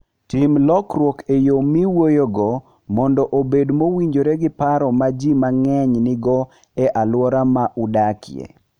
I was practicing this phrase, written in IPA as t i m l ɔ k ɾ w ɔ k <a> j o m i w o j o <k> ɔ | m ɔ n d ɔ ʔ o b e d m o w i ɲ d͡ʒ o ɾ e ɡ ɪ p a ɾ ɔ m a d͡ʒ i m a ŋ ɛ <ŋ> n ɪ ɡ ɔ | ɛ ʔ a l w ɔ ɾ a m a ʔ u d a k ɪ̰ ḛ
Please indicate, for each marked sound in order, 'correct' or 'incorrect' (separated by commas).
incorrect, incorrect, incorrect